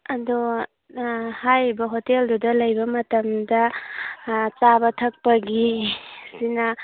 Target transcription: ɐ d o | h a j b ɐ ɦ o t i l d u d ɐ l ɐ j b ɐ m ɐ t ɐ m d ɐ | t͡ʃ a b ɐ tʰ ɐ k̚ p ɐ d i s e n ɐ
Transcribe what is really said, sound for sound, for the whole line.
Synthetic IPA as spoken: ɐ d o | h a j b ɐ ɦ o t e l d u d ɐ l ɐ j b ɐ m ɐ t ɐ m d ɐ | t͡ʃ a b ɐ tʰ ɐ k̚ p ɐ ɡ i s i n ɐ